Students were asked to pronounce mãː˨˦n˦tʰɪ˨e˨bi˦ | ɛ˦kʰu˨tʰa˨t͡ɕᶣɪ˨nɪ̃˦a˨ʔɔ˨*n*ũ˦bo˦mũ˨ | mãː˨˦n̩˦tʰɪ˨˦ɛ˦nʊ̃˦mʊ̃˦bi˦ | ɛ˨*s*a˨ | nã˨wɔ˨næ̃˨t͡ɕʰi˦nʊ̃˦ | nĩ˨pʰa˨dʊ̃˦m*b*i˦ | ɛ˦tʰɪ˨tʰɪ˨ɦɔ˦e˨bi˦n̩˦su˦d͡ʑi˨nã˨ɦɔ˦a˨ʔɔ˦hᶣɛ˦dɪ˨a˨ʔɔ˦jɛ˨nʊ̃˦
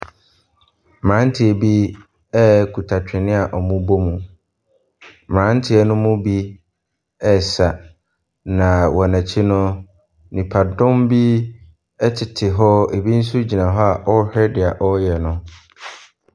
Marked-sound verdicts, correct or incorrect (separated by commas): incorrect, correct, correct